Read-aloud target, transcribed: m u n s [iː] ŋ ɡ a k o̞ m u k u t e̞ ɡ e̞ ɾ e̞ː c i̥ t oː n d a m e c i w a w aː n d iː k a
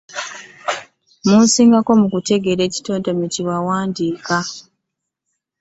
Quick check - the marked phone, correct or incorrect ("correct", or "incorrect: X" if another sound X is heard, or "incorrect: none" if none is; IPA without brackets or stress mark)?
correct